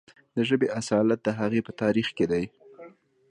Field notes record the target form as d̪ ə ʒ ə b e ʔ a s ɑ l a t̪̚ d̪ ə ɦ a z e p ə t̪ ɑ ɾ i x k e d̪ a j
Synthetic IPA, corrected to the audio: d̪ ə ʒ ə b e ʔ a s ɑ l a t̪̚ d̪ ə ɦ a ɣ e p ə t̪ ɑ ɾ i x k e d̪ a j